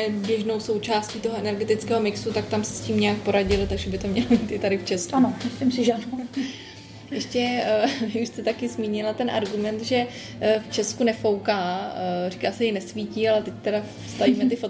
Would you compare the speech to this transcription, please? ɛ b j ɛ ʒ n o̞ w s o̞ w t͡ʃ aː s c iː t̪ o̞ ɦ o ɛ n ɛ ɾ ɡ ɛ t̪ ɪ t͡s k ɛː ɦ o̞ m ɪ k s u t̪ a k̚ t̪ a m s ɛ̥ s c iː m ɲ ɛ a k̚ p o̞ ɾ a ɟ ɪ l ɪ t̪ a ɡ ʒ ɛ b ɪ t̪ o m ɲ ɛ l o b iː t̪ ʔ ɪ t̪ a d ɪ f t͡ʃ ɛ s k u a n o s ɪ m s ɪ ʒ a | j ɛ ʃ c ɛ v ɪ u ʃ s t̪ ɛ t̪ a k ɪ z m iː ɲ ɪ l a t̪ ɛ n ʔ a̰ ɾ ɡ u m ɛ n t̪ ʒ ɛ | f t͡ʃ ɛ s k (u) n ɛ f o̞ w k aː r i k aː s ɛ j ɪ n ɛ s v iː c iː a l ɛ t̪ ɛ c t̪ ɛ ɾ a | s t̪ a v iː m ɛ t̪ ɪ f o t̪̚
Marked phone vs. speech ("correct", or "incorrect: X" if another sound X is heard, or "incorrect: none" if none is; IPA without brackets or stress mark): correct